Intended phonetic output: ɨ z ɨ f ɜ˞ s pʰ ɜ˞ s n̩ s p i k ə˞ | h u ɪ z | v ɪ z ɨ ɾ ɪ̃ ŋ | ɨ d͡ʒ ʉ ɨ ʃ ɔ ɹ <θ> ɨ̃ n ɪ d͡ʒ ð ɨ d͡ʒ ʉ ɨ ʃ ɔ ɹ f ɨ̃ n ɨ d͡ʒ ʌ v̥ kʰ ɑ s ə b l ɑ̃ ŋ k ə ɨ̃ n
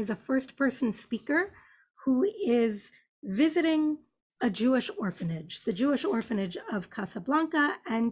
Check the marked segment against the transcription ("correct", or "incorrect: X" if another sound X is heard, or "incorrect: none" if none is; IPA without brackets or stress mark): incorrect: f